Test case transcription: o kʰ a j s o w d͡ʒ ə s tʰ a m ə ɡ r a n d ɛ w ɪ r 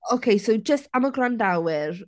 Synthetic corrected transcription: o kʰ e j s o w d͡ʒ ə s t a m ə ɡ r a n d a w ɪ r